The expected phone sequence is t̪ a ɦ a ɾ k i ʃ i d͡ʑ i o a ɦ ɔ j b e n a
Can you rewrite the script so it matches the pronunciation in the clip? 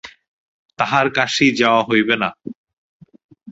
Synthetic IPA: t̪ a ɦ a ɾ k a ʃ i d͡ʑ a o a ɦ o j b e n a